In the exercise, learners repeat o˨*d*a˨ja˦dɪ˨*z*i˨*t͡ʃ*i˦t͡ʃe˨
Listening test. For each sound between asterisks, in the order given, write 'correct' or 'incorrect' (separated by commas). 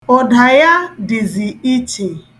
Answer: correct, correct, incorrect